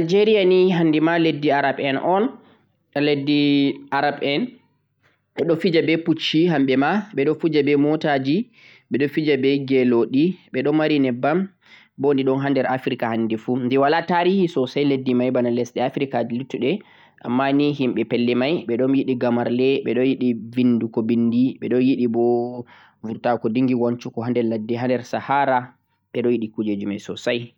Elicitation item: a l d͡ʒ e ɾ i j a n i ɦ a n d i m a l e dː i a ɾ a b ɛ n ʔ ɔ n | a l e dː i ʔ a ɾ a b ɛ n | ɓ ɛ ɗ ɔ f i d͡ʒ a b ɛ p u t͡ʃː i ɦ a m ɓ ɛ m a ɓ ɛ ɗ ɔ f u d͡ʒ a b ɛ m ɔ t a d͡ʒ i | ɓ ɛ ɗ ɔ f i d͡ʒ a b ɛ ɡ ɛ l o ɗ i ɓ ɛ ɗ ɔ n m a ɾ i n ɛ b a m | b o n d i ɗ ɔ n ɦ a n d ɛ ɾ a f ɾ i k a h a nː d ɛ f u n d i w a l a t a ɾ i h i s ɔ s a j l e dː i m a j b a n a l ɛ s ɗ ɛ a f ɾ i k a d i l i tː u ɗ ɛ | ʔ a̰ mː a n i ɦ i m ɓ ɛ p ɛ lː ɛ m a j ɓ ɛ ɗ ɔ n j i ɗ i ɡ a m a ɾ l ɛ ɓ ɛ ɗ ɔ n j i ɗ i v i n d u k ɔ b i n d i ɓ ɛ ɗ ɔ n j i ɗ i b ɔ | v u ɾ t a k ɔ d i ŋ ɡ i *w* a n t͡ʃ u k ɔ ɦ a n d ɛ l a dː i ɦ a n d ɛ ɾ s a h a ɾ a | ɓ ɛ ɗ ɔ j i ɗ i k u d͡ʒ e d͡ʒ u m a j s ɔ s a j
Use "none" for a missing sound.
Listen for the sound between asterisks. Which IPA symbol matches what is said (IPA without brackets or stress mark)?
w